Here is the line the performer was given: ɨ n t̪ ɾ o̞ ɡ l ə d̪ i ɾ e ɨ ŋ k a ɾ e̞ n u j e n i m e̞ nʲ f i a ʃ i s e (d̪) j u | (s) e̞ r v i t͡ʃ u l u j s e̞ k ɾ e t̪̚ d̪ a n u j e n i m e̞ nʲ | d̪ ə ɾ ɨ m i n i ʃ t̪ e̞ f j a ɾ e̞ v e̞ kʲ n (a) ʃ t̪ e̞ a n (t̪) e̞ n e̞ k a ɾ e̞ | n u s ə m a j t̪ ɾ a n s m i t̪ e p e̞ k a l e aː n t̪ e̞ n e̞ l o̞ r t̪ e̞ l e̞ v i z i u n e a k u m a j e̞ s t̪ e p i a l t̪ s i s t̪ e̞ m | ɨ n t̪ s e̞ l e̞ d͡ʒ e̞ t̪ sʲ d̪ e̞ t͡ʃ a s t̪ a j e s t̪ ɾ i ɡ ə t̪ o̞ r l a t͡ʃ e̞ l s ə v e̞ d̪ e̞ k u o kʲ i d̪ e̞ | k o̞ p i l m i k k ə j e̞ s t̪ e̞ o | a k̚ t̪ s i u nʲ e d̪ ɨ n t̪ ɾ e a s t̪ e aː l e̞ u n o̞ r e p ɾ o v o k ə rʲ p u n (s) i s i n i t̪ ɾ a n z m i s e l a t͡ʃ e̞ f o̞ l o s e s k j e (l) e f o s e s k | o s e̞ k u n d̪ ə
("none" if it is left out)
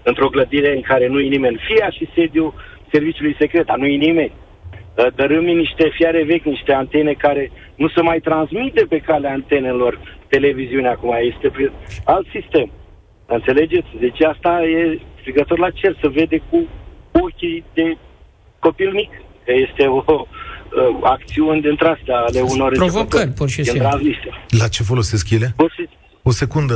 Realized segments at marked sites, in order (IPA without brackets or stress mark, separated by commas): d̪, s, i, t̪, ʃ, l